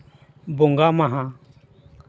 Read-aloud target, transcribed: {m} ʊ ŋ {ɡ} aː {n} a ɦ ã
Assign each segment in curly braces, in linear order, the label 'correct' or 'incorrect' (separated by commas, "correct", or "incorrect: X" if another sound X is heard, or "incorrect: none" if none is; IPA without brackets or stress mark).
incorrect: b, correct, incorrect: m